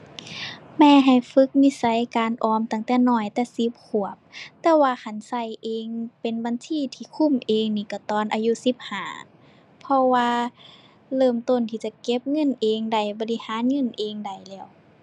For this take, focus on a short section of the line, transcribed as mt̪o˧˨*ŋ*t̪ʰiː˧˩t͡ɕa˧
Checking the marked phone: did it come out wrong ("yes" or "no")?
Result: yes